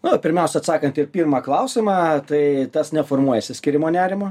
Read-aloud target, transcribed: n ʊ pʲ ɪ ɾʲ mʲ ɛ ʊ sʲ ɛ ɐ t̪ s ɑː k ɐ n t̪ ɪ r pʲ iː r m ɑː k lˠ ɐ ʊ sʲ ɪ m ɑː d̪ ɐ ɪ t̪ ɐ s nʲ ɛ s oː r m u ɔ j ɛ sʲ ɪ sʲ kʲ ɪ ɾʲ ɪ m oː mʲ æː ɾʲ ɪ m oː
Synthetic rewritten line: n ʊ pʲ ɪ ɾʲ mʲ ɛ ʊ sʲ ɛ ɐ t̪ s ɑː k ɐ n t̪ ɪ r pʲ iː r m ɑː k lˠ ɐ ʊ sʲ ɪ m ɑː t̪ ɐ ɪ t̪ ɐ s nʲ ɛ f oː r m u ɔ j ɛ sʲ ɪ sʲ kʲ ɪ ɾʲ ɪ m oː nʲ æː ɾʲ ɪ m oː

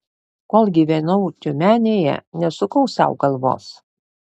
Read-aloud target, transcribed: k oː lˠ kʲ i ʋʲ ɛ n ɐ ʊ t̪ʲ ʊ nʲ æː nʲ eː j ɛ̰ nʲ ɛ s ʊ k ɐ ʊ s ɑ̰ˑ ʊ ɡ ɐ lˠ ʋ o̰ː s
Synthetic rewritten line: k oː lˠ ɡʲ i ʋʲ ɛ n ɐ ʊ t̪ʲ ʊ mʲ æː nʲ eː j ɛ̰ nʲ ɛ s ʊ k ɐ ʊ s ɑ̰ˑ ʊ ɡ ɐ lˠ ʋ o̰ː s

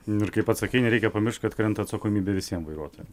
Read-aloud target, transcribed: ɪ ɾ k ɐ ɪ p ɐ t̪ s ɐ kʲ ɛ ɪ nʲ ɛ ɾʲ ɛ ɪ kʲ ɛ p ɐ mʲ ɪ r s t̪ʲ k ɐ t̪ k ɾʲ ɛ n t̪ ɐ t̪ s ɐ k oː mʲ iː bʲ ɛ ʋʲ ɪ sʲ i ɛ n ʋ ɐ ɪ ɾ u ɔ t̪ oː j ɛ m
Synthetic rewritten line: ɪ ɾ k ɐ ɪ p ɐ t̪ s ɐ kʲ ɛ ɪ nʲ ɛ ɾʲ ɛ ɪ kʲ ɛ p ɐ mʲ ɪ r ʃ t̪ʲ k ɐ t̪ k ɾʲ ɛ n t̪ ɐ t̪ s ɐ k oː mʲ iː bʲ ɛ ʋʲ ɪ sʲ i ɛ m ʋ ɐ ɪ ɾ u ɔ t̪ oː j ɛ m

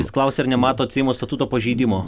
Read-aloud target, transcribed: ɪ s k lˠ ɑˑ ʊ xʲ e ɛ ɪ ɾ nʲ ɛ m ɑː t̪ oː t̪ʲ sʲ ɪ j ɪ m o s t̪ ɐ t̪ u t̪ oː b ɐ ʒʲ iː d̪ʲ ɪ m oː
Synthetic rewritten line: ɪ s k lˠ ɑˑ ʊ sʲ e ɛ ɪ ɾ nʲ ɛ m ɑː t̪ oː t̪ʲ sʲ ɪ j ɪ m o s t̪ ɐ t̪ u t̪ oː p ɐ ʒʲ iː d̪ʲ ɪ m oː

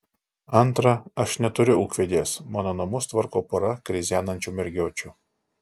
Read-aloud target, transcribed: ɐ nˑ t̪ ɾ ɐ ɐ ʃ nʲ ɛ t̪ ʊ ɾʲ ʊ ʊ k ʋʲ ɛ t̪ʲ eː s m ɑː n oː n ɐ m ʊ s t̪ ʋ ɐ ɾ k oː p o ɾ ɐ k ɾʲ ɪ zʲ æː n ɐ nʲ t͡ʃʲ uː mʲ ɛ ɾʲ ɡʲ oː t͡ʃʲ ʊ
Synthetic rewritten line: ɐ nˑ t̪ ɾ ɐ ɐ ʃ nʲ ɛ t̪ ʊ ɾʲ ʊ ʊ k ʋʲ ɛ d̪ʲ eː s m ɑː n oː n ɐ m ʊ s t̪ ʋ ɐ ɾ k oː p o ɾ ɐ k ɾʲ ɪ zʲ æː n ɐ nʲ t͡ʃʲ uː mʲ ɛ ɾʲ ɡʲ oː t͡ʃʲ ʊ

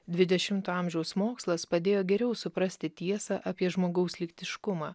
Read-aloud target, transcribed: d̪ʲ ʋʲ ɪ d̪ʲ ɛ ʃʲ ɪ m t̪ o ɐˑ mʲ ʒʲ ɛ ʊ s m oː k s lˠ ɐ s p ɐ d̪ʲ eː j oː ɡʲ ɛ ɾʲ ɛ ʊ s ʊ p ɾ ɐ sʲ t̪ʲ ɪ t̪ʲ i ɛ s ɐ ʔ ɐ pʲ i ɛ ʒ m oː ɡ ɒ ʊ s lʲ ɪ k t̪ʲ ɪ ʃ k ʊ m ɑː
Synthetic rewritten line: d̪ʲ ʋʲ ɪ d̪ʲ ɛ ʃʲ ɪ m t̪ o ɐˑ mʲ ʒʲ ɛ ʊ s m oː k s lˠ ɐ s p ɐ d̪ʲ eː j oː ɡʲ ɛ ɾʲ ɛ ʊ s ʊ p ɾ ɐ sʲ t̪ʲ ɪ t̪ʲ i ɛ s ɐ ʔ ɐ pʲ i ɛ ʒ m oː ɡ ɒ ʊ s lʲ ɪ k t̪ʲ ɪ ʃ k ʊ m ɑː

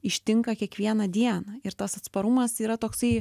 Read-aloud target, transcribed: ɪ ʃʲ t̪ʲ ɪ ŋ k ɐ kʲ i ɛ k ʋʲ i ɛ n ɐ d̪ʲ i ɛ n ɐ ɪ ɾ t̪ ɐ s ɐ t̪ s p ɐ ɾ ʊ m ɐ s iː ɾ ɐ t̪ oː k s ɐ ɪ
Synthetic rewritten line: ɪ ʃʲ t̪ʲ ɪ ŋ k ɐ kʲ i ɛ k ʋʲ i ɛ n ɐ d̪ʲ i ɛ n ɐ ɪ ɾ t̪ ɐ s ɐ t̪ s p ɐ ɾ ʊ m ɐ s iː ɾ ɐ t̪ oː k s ɐ ɪ

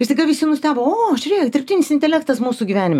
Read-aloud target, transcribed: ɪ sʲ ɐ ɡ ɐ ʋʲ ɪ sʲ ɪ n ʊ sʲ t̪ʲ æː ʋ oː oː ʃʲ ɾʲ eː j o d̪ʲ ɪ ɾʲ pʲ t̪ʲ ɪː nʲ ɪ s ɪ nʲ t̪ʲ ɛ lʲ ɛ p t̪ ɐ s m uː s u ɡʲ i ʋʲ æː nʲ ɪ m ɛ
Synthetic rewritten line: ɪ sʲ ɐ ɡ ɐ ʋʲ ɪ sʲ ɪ n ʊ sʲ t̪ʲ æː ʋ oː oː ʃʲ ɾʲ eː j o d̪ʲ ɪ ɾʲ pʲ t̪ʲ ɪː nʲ ɪ s ɪ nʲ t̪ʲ ɛ lʲ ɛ k t̪ ɐ s m uː s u ɡʲ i ʋʲ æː nʲ ɪ m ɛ

